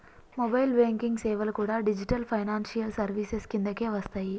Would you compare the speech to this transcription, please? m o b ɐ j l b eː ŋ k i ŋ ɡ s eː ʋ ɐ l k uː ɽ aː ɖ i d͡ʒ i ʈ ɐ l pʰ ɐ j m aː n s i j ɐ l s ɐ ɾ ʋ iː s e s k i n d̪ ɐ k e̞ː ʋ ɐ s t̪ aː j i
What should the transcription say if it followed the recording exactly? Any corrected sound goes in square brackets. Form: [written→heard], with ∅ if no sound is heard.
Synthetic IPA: m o b ɐ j l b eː ŋ k i ŋ ɡ s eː ʋ ɐ l k uː ɽ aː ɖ i d͡ʒ i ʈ ɐ l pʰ ɐ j [m→n] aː n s i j ɐ l s ɐ ɾ ʋ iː s e s k i n d̪ ɐ k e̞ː ʋ ɐ s t̪ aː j i